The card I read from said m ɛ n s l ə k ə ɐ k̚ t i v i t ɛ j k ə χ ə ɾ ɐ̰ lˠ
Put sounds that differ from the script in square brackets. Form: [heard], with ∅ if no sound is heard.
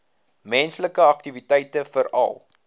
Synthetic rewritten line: m ɛ n s l ə k ə ɐ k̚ t i v i t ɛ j [t] ə [f] ə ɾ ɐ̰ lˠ